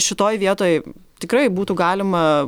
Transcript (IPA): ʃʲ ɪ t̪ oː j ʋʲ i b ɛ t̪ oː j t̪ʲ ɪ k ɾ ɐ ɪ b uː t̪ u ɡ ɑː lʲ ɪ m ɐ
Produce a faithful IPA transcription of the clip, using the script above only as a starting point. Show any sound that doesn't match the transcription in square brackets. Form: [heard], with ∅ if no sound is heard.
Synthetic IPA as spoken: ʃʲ ɪ t̪ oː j ʋʲ i [∅] ɛ t̪ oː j t̪ʲ ɪ k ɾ ɐ ɪ b uː t̪ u ɡ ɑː lʲ ɪ m ɐ